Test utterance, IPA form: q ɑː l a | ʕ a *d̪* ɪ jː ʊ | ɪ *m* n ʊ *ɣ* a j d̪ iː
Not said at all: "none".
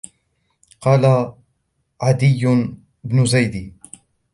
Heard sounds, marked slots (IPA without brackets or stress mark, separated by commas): d̪, b, z